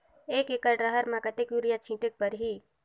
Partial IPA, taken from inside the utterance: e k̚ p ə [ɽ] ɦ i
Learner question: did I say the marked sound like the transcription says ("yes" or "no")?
no